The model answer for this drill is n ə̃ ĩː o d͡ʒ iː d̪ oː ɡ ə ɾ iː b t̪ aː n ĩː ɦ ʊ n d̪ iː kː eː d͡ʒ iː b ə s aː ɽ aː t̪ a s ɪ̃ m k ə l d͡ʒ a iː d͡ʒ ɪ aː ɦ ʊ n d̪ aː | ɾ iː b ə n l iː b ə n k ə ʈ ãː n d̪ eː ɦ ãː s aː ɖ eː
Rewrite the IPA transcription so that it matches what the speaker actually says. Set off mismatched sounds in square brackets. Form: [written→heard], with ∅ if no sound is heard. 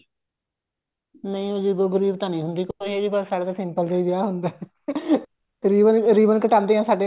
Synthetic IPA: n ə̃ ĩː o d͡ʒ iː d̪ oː ɡ ə ɾ iː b t̪ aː n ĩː ɦ ʊ n d̪ iː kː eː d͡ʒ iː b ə s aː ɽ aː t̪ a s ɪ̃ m [k→p] ə l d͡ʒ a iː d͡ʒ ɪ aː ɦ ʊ n d̪ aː | ɾ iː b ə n [l→ɾ] iː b ə n k ə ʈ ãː n d̪ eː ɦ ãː s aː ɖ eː